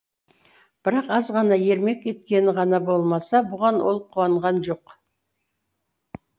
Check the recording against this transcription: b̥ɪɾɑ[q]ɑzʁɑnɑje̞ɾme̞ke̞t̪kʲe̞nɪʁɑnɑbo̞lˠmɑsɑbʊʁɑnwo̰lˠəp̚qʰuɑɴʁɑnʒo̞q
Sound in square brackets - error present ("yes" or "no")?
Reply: no